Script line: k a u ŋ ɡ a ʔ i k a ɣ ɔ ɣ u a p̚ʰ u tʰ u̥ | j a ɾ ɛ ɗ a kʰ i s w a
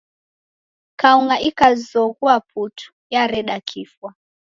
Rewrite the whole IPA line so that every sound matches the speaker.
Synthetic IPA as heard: k a u ŋ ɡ a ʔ i k a z ɔ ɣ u a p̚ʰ u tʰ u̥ | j a ɾ ɛ ɗ a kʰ i f w a